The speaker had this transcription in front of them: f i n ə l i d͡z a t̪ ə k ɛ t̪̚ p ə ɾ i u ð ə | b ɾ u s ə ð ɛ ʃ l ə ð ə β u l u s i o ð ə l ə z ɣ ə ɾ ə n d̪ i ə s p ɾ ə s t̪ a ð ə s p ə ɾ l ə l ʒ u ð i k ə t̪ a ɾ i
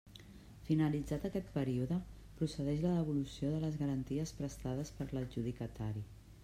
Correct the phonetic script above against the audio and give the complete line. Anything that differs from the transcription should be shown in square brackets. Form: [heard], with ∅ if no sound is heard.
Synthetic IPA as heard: f i n ə l i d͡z a t̪ ə k ɛ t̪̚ p ə ɾ i u ð ə | [p] ɾ u s ə ð ɛ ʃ l ə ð ə β u l u s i o ð ə l ə z ɣ ə ɾ ə n [t̪] i ə s p ɾ ə s t̪ a ð ə s p ə ɾ l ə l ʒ u ð i k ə t̪ a ɾ i